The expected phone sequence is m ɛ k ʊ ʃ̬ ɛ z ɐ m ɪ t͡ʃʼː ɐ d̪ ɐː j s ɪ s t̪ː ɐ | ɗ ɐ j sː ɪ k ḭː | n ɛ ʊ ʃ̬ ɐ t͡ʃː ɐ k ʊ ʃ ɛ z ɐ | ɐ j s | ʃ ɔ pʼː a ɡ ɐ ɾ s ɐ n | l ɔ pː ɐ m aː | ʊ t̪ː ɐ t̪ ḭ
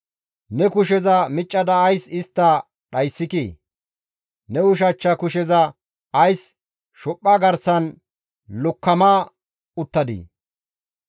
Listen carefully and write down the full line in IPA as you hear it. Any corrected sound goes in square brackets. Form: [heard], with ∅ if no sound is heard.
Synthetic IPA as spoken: [n] ɛ k ʊ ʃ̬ ɛ z ɐ m ɪ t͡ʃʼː ɐ d̪ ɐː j s ɪ s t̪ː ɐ | ɗ ɐ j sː ɪ k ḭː | n ɛ ʊ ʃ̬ ɐ t͡ʃː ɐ k ʊ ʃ ɛ z ɐ | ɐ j s | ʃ ɔ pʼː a ɡ ɐ ɾ s ɐ n | l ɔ [kː] ɐ m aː | ʊ t̪ː ɐ [d̪] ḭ